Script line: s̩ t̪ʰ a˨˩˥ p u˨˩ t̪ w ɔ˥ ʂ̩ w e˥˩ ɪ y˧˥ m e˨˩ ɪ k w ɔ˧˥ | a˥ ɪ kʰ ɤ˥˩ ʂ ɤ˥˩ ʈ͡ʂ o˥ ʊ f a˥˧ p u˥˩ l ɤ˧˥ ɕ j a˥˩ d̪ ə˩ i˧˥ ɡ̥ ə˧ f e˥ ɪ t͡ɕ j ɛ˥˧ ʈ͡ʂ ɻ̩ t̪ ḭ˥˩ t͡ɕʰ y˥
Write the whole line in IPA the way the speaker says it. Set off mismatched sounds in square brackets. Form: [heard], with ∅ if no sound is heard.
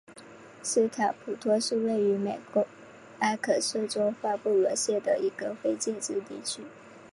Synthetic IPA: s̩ t̪ʰ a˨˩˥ [pʰ] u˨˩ [t̪ʰ] w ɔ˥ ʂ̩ w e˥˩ ɪ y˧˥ m e˨˩ ɪ k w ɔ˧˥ | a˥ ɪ kʰ [ɤ˨˩] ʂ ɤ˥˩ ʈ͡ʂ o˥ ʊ f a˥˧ p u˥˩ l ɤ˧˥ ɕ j [ɛ˥˩] d̪ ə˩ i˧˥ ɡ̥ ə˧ f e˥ ɪ t͡ɕ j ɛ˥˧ ʈ͡ʂ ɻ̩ t̪ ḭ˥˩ t͡ɕʰ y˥